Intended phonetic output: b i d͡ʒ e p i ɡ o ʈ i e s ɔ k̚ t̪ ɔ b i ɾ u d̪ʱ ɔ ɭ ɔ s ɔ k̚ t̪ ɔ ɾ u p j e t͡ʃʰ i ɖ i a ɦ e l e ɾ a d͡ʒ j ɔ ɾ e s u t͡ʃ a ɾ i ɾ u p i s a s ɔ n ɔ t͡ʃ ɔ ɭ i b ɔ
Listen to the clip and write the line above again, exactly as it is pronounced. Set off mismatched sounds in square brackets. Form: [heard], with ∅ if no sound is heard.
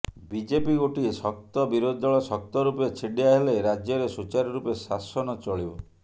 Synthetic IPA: b i d͡ʒ e p i ɡ o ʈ i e s ɔ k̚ t̪ ɔ b i ɾ [o] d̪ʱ ɔ ɭ ɔ s ɔ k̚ t̪ ɔ ɾ u p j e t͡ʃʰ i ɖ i a ɦ e l e ɾ a d͡ʒ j ɔ ɾ e s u t͡ʃ a ɾ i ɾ u p [e] s a s ɔ n ɔ t͡ʃ ɔ ɭ i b ɔ